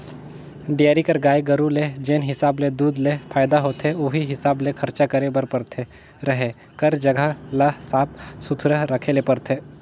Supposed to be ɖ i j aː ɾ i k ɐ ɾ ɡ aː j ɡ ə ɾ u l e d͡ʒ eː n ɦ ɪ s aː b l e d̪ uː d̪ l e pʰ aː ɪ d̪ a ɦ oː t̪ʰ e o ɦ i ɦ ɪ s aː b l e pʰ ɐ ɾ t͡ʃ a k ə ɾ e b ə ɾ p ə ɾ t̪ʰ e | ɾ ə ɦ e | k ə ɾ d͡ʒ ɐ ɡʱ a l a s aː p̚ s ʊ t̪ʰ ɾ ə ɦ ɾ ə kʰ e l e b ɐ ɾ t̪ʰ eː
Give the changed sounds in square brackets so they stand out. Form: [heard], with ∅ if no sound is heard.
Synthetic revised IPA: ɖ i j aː ɾ i k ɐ ɾ ɡ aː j ɡ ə ɾ u l e d͡ʒ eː n ɦ ɪ s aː b l e d̪ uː d̪ l e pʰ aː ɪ d̪ a ɦ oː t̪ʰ e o ɦ i ɦ ɪ s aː b l e [kʰ] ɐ ɾ t͡ʃ a k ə ɾ e b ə ɾ p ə ɾ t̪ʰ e | ɾ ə ɦ e | k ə ɾ d͡ʒ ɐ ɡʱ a l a s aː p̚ s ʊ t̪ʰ ɾ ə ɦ ɾ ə kʰ e l e [p] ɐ ɾ t̪ʰ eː